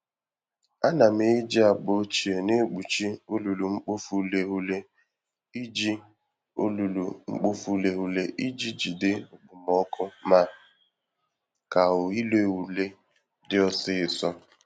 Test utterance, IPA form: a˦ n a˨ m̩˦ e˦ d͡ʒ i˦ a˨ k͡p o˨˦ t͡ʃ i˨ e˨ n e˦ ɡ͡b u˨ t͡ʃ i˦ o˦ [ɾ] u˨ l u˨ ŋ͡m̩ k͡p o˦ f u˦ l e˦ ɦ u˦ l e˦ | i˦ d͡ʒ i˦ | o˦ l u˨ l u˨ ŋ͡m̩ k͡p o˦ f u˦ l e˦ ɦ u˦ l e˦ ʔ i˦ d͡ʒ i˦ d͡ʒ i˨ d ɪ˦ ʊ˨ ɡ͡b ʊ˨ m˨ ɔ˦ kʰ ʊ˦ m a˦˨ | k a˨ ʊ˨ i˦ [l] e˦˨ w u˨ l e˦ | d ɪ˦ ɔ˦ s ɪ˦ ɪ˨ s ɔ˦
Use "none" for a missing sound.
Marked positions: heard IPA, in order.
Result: l, l

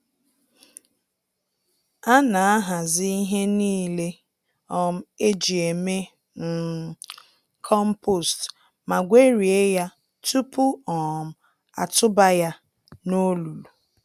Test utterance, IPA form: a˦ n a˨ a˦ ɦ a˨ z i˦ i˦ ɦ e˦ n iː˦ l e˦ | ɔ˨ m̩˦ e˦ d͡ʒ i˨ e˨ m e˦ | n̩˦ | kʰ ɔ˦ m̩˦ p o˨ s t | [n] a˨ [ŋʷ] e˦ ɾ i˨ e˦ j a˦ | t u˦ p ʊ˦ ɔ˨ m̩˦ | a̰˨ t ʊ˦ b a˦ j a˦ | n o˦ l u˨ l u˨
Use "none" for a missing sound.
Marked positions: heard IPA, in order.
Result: m, ɡʷ

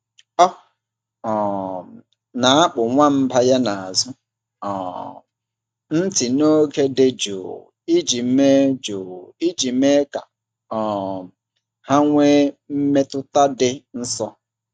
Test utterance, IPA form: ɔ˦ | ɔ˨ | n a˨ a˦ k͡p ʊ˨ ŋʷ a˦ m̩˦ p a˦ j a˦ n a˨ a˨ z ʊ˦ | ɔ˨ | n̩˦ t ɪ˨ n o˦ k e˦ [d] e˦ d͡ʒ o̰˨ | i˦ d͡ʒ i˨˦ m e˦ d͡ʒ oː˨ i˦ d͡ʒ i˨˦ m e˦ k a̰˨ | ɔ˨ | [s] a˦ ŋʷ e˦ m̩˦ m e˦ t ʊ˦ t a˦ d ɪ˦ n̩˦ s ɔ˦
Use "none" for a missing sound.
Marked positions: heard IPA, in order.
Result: d, h

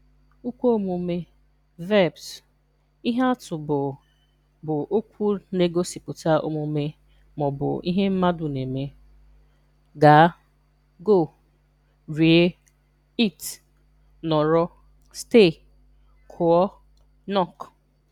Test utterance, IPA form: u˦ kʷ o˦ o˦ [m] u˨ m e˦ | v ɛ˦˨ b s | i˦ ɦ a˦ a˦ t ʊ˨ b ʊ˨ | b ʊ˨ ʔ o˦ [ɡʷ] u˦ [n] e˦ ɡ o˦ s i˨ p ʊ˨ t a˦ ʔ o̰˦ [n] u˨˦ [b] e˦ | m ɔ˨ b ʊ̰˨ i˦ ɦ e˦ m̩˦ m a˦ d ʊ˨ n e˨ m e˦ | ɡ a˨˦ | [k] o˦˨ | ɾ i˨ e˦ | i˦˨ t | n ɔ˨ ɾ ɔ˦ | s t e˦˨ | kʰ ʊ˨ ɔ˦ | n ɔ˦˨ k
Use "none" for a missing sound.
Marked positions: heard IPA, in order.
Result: m, kʷ, n, m, m, ɡ

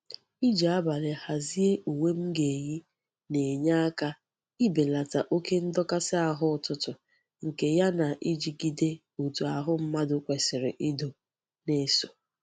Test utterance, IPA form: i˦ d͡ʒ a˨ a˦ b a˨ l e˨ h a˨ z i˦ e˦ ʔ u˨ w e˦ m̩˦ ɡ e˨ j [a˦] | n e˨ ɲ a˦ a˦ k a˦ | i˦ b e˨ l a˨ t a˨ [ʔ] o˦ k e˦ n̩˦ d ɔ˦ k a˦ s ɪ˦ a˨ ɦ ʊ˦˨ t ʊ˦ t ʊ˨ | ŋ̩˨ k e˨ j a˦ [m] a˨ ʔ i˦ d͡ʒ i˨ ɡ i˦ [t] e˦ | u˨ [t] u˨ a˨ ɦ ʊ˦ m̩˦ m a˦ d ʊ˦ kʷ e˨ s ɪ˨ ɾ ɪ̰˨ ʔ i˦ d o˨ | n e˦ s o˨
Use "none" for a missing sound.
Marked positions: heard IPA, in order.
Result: i˦, ʔ, n, d, t

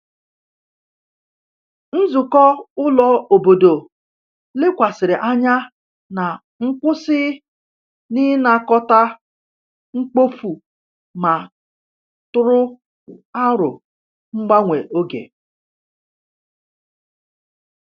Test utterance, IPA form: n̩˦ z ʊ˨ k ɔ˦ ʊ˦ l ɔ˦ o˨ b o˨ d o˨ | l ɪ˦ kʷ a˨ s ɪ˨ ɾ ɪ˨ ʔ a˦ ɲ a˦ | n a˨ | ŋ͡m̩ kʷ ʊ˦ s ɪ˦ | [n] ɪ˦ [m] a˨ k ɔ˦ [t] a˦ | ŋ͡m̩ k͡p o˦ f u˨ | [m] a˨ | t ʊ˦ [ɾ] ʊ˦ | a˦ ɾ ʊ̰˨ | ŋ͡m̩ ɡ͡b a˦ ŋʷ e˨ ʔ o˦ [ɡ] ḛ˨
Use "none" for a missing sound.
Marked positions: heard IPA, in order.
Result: n, n, t, m, ɾ, ɡ

